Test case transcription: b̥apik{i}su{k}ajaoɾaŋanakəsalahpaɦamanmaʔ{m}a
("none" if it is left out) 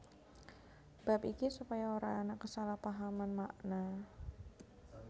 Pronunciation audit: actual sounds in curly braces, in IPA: i, p, n

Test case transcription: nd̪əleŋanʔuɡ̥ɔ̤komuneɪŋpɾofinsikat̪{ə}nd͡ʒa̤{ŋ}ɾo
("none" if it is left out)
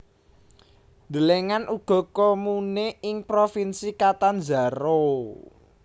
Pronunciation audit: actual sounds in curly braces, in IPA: a, none

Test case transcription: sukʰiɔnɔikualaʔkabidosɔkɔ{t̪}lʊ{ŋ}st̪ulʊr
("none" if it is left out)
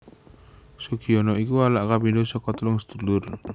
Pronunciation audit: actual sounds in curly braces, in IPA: t̪, ŋ

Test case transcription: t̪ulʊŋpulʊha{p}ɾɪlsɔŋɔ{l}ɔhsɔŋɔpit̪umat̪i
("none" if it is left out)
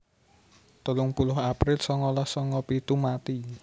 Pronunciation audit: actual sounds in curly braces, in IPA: p, l

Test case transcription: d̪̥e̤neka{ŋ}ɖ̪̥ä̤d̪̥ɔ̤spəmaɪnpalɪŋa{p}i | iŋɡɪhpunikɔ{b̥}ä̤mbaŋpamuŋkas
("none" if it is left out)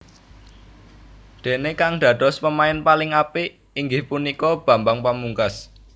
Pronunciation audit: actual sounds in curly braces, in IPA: ŋ, p, b̥

